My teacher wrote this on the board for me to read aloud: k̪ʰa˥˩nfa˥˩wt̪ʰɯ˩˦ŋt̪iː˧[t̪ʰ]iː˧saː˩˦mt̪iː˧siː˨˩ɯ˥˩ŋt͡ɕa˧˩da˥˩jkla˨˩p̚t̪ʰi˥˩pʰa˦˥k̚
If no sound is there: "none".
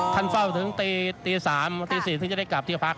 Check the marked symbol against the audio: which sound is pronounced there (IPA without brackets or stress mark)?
t̪